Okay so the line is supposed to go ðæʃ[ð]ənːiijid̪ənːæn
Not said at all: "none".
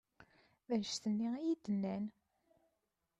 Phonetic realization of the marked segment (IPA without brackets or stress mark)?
θ